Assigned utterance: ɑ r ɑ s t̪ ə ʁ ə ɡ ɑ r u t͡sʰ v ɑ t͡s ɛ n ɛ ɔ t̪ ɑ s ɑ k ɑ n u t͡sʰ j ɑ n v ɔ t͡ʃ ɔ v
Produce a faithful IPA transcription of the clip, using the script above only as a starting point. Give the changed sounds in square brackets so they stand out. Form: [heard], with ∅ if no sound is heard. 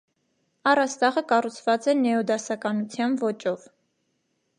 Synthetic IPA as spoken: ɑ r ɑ s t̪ [ɑ] ʁ ə [k] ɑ r u t͡sʰ v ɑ t͡s ɛ n ɛ ɔ [d̪] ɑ s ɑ k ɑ n u t͡sʰ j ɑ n v ɔ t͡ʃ ɔ v